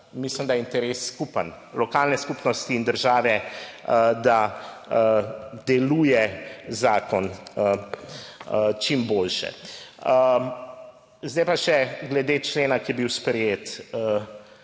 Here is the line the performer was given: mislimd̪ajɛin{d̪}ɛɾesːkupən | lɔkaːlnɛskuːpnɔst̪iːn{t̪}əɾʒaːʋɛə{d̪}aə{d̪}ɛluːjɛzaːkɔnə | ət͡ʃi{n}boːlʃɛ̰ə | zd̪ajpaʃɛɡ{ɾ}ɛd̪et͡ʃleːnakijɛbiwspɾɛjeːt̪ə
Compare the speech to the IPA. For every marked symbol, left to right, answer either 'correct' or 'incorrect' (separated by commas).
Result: incorrect, incorrect, correct, correct, incorrect, incorrect